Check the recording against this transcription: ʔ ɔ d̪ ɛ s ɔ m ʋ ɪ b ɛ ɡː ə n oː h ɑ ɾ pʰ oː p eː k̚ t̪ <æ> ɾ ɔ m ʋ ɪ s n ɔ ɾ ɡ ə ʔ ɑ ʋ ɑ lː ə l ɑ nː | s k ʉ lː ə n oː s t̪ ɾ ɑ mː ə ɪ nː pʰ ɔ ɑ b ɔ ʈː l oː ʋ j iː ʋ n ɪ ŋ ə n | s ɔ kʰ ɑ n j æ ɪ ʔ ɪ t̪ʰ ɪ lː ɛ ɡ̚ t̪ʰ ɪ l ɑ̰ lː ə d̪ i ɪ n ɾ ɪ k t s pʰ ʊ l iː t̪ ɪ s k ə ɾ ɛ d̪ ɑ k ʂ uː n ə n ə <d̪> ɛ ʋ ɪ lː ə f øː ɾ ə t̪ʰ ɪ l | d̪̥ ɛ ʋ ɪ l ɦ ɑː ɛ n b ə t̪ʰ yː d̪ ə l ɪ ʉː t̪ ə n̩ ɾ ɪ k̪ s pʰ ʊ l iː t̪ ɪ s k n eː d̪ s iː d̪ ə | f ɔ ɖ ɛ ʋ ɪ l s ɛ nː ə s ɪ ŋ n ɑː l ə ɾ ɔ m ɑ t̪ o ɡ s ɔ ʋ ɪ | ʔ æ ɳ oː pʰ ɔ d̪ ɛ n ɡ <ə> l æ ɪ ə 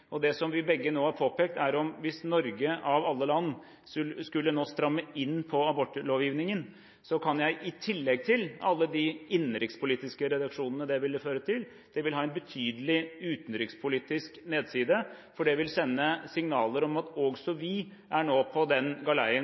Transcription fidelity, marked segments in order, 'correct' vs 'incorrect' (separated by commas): correct, correct, incorrect